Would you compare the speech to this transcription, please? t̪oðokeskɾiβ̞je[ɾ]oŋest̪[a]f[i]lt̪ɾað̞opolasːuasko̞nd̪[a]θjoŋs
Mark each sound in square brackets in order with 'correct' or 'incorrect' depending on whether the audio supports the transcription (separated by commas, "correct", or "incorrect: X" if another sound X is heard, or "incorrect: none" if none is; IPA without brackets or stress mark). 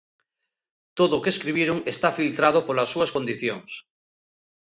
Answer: correct, correct, correct, incorrect: i